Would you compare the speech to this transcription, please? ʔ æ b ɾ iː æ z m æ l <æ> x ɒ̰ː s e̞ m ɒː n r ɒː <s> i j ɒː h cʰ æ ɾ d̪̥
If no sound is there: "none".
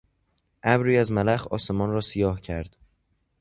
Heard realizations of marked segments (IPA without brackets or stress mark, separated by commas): æ, s